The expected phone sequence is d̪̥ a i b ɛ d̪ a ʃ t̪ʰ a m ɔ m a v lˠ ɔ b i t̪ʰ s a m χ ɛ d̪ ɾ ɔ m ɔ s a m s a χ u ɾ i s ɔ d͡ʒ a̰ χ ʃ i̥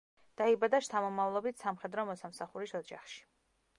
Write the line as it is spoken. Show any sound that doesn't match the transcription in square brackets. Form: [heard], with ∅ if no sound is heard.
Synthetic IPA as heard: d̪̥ a i b [a] d̪ a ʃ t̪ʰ a m ɔ m a v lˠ ɔ b i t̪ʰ s a m χ ɛ d̪ ɾ ɔ m ɔ s a m s a χ u ɾ i s ɔ d͡ʒ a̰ χ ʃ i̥

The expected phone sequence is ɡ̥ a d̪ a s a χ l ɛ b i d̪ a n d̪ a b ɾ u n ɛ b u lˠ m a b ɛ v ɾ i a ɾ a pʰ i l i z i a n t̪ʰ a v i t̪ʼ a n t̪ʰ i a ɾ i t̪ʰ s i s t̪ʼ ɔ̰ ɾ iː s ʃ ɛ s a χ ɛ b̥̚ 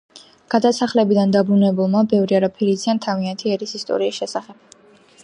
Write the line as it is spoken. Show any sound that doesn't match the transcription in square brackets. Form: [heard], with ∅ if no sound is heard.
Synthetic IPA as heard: ɡ̥ a d̪ a s a χ l ɛ b i d̪ a n d̪ a b ɾ u n ɛ b u lˠ m a b ɛ v ɾ i a ɾ a pʰ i [ɾ] i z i a n t̪ʰ a v i [∅] a n t̪ʰ i [ɛ] ɾ i [∅] s i s t̪ʼ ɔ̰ ɾ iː s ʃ ɛ s a χ ɛ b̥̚

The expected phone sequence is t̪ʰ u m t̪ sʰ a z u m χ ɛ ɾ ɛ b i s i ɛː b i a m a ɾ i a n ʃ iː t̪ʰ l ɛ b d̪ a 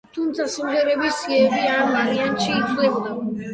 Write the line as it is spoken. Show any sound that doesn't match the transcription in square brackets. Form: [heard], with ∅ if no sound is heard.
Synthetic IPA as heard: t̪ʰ u m t̪ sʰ a [s] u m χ ɛ ɾ ɛ b i s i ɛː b i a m a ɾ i a n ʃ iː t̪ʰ l ɛ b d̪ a

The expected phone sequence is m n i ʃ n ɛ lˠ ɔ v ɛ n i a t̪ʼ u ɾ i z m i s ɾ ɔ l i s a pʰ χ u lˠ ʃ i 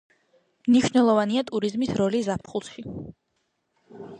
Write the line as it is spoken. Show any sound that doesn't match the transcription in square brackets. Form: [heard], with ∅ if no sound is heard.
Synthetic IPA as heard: m n i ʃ n ɛ lˠ ɔ v [a] n i a t̪ʼ u ɾ i z m i s ɾ ɔ l i [z] a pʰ χ u lˠ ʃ i

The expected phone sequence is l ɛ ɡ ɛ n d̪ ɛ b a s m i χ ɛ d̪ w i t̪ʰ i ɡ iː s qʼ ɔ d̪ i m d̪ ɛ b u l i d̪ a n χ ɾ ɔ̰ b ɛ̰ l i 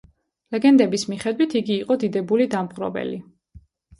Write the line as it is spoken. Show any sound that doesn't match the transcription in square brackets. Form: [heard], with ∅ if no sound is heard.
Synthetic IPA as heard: l ɛ ɡ ɛ n d̪ ɛ b [i] s m i χ ɛ d̪ w i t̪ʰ i ɡ iː [∅] qʼ ɔ d̪ i [∅] d̪ ɛ b u l i d̪ a [m] χ ɾ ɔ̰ b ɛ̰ l i

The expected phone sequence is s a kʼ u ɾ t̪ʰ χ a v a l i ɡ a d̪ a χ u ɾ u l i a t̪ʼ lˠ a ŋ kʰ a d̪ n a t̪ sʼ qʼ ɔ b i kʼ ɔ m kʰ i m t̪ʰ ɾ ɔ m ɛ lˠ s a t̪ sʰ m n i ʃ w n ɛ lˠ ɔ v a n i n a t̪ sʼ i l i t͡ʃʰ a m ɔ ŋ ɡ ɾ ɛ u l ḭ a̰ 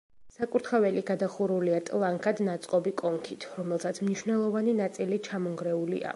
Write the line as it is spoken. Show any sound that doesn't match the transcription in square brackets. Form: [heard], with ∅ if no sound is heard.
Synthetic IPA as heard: s a kʼ u ɾ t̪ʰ χ a v [ɛ] l i ɡ a d̪ a χ u ɾ u l i a t̪ʼ lˠ a ŋ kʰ a d̪ n a t̪ sʼ qʼ ɔ b i kʼ ɔ [ŋ] kʰ i [∅] t̪ʰ ɾ ɔ m ɛ lˠ s a t̪ sʰ m n i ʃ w n ɛ lˠ ɔ v a n i n a t̪ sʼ i l i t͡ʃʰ a m ɔ ŋ ɡ ɾ ɛ u l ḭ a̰

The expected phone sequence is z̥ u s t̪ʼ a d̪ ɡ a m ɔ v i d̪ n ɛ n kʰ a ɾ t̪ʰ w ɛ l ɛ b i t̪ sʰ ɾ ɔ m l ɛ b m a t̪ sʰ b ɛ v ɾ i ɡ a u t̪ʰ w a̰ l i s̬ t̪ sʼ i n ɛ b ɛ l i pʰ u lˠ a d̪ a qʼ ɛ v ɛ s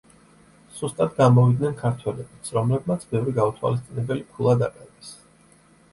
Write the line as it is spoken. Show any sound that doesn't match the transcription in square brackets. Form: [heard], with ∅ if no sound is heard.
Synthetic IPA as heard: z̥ u s t̪ʼ a d̪ ɡ a m ɔ v i d̪ n ɛ n kʰ a ɾ t̪ʰ w ɛ l ɛ b i t̪ sʰ ɾ ɔ m l ɛ b m a t̪ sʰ b ɛ v ɾ i ɡ a u t̪ʰ w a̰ l i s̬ t̪ sʼ i n ɛ b ɛ l i pʰ u lˠ a d̪ a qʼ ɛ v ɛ s

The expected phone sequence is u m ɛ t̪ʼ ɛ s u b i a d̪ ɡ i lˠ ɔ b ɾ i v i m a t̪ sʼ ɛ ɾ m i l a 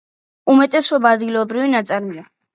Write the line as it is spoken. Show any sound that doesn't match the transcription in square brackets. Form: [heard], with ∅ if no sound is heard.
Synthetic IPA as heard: u m ɛ t̪ʼ ɛ s [ɔ] b [a] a d̪ ɡ i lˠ ɔ b ɾ i v i [n] a t̪ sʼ [a] ɾ m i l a

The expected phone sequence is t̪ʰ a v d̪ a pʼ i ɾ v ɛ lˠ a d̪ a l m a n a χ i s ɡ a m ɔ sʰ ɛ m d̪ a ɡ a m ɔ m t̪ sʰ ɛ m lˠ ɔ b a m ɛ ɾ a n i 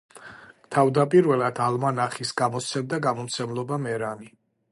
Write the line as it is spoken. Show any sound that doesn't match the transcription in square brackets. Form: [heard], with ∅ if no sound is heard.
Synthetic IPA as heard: t̪ʰ a v d̪ a pʼ i ɾ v ɛ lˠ a d̪ a l m a n a χ i s ɡ a m ɔ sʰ ɛ m d̪ a ɡ a m ɔ m t̪ sʰ ɛ m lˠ ɔ b a m ɛ ɾ a n i

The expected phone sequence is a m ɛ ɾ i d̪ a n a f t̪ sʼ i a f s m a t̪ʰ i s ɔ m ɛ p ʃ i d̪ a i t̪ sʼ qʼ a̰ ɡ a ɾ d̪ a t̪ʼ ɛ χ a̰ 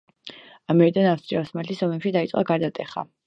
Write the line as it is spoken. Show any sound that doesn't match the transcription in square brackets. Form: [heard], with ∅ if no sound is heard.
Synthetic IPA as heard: a m ɛ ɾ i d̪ a n a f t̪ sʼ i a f s m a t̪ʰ i s ɔ m ɛ p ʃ i d̪ a i t̪ sʼ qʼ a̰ ɡ a ɾ d̪ a t̪ʼ ɛ χ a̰

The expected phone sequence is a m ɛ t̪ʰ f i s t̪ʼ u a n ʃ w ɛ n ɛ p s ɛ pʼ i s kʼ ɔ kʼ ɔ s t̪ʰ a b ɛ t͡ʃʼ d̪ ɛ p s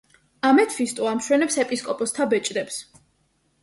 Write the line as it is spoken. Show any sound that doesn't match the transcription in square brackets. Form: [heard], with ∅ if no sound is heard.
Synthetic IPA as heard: a m ɛ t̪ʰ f i s t̪ʼ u a [m] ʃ w ɛ n ɛ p s ɛ pʼ i s kʼ ɔ [pʼ] ɔ s t̪ʰ a b ɛ t͡ʃʼ d̪ ɛ p s

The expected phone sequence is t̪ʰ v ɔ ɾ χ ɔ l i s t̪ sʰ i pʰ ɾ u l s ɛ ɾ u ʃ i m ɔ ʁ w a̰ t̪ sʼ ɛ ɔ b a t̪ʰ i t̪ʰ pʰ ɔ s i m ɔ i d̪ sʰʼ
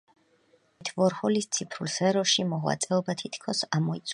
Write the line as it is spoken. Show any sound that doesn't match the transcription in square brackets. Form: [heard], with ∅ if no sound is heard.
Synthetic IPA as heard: t̪ʰ v ɔ ɾ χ ɔ l i s t̪ sʰ i pʰ ɾ u l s ɛ ɾ [ɔ] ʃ i m ɔ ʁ w a̰ t̪ sʼ ɛ ɔ b a t̪ʰ i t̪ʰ [kʰ] ɔ s [a] m ɔ i [t̪] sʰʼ

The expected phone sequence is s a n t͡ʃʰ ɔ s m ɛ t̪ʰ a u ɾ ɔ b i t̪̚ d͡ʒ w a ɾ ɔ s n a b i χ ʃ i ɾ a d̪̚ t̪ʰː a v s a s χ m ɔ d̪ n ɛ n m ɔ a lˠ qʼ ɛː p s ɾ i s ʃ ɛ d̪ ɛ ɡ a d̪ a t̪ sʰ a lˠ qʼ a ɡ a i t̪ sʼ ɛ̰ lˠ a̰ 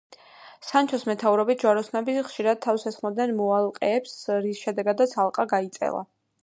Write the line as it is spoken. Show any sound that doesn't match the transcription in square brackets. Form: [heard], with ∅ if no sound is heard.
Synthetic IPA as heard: s a n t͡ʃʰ ɔ s m ɛ t̪ʰ a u ɾ ɔ b i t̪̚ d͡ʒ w a ɾ ɔ s n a b i χ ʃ i ɾ a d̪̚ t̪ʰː a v s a s χ m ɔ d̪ n ɛ n m ɔ a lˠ qʼ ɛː p s ɾ i s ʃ ɛ d̪ ɛ ɡ a d̪ a t̪ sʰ a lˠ qʼ a ɡ a i t̪ sʼ ɛ̰ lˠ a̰

